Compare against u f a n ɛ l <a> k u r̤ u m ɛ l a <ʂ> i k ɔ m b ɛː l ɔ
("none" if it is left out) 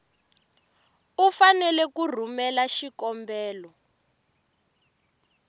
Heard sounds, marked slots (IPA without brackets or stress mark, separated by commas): ɛ, ʃ